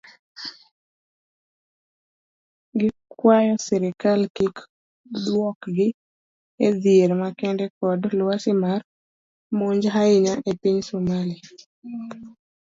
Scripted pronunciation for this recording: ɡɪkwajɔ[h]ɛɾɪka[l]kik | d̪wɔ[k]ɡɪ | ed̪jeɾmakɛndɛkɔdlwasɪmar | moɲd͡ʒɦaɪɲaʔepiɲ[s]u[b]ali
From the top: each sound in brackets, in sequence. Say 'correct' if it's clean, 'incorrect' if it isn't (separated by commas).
incorrect, correct, correct, correct, incorrect